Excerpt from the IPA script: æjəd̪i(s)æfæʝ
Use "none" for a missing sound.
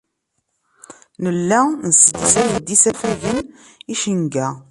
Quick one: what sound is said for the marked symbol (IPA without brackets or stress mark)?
s